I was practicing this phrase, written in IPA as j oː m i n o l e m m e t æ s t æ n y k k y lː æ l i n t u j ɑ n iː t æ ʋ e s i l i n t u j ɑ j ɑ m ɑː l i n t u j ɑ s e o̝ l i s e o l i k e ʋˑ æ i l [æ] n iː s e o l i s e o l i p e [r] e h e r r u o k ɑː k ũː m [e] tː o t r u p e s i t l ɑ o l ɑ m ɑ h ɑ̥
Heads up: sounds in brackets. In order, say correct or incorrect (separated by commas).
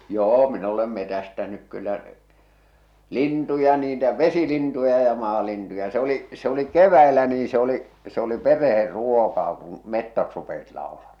correct, correct, correct